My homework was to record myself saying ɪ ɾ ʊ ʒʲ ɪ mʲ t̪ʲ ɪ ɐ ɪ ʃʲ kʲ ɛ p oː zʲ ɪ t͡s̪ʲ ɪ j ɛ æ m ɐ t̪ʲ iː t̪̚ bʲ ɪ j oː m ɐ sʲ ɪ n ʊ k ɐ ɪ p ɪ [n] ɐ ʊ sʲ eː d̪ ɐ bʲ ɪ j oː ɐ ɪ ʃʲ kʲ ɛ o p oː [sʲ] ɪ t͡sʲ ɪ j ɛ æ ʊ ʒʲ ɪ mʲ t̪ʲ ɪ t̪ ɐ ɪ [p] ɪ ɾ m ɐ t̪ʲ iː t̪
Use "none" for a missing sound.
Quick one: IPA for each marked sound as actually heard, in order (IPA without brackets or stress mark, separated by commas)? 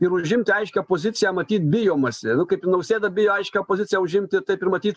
n, zʲ, p